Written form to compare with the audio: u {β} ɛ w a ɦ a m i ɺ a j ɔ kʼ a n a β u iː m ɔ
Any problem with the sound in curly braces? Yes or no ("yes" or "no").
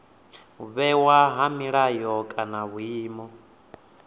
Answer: no